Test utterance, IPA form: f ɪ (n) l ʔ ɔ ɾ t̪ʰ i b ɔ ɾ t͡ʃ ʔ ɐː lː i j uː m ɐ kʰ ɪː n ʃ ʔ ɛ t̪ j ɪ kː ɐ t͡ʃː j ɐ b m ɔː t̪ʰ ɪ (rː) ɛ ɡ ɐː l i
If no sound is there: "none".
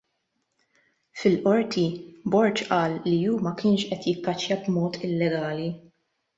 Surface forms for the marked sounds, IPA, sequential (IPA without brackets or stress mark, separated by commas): none, lː